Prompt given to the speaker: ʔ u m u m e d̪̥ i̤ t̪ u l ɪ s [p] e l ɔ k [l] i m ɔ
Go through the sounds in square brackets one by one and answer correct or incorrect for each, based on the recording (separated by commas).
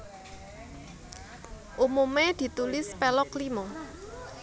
correct, correct